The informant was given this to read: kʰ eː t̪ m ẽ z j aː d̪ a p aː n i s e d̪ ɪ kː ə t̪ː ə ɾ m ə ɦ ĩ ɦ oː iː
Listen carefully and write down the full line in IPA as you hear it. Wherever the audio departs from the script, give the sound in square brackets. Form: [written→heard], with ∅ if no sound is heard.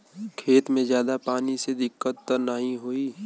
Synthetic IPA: kʰ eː t̪ m ẽ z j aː d̪ a p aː n i s e d̪ ɪ kː ə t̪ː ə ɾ [m→n] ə ɦ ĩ ɦ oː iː